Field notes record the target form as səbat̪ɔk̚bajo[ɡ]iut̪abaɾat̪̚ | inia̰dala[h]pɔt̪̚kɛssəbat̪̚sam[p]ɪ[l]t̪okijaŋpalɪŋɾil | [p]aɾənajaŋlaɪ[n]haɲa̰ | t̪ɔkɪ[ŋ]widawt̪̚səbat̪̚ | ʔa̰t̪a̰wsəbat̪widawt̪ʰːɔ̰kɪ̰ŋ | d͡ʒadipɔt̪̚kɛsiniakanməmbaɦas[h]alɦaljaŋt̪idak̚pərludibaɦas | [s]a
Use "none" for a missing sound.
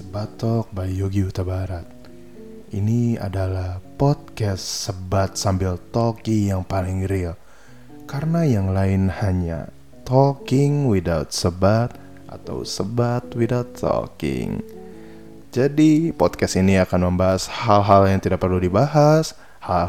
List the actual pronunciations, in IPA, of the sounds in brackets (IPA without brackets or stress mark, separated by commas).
ɡ, h, b, l, k, n, ŋ, h, h